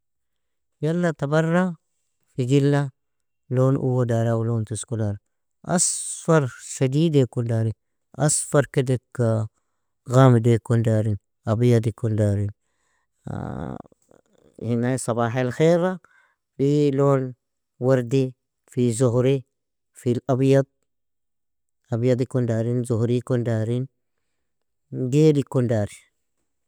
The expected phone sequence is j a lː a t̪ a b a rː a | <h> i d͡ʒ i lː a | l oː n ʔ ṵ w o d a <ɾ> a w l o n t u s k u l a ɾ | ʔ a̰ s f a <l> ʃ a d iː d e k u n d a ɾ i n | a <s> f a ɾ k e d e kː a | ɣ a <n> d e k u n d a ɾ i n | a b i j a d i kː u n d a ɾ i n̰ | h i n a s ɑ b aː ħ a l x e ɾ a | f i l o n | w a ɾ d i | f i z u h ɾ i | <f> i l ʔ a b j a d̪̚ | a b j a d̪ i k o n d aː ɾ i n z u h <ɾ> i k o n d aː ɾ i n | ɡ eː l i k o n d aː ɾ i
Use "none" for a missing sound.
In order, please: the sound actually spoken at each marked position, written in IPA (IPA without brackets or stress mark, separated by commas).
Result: f, ɾ, ɾ, s, m, f, ɾ